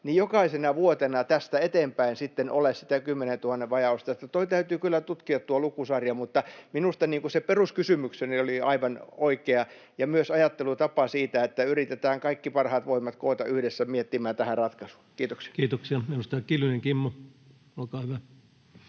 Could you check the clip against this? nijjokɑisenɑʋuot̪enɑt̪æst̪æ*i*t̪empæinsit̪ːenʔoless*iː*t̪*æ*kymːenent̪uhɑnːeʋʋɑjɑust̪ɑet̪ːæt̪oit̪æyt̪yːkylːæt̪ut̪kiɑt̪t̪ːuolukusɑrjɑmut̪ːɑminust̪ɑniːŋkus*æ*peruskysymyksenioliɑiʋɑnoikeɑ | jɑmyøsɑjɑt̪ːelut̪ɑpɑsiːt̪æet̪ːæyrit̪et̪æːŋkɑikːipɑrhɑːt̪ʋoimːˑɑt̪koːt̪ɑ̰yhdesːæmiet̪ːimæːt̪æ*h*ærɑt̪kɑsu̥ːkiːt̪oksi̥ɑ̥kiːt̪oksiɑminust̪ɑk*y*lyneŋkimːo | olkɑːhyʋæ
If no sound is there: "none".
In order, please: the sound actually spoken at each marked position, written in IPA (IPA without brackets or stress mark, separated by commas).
e, i, æ, e, h, i